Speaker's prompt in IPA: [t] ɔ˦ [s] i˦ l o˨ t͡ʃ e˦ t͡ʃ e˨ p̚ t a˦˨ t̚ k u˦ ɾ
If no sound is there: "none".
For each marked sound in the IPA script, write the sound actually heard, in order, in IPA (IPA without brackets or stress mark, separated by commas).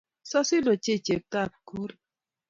s, s